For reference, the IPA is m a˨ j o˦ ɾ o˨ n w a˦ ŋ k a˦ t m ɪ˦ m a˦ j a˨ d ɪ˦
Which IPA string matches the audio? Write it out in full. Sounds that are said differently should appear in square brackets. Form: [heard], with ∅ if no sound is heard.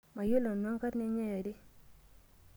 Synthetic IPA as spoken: m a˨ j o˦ [l] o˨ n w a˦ ŋ k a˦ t [n] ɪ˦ [ɲ] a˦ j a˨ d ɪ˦